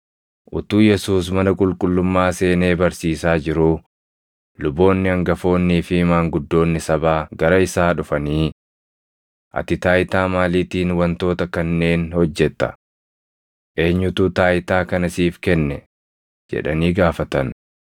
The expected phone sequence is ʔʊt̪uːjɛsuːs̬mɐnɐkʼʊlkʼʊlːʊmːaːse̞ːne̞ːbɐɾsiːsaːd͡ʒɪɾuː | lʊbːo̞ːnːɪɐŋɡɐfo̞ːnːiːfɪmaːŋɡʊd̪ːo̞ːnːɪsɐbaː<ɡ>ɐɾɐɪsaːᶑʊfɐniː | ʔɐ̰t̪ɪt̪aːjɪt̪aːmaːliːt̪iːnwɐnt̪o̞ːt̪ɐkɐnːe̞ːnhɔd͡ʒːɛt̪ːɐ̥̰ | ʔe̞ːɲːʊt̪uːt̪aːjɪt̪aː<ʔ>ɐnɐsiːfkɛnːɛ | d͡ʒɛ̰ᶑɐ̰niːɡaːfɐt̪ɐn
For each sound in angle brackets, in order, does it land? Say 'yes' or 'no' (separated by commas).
yes, no